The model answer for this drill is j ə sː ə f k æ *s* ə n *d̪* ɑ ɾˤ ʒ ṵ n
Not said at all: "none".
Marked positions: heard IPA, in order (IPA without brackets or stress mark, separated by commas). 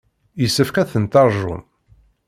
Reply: θ, t̪